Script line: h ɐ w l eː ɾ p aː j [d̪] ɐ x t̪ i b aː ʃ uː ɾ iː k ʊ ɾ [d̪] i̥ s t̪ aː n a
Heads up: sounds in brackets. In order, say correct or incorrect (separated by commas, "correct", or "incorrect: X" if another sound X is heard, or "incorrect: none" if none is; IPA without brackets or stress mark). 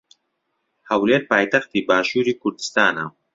incorrect: t̪, correct